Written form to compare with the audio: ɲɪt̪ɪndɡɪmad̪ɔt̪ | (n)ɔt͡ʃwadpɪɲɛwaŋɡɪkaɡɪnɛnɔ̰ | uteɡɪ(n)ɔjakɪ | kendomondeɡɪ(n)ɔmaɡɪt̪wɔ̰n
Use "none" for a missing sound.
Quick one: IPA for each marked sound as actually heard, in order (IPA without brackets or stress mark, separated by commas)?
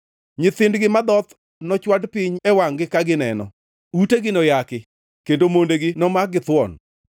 n, n, n